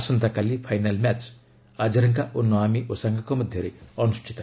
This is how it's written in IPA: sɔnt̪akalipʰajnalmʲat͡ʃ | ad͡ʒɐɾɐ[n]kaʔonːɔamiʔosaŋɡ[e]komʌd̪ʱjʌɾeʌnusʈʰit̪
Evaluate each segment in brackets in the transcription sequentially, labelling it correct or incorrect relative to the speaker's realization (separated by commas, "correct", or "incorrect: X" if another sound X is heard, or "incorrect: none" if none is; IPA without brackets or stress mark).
incorrect: ŋ, incorrect: a